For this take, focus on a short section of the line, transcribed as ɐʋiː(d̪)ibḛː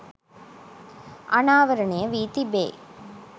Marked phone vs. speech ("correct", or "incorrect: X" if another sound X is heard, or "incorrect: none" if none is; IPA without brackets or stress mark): incorrect: t̪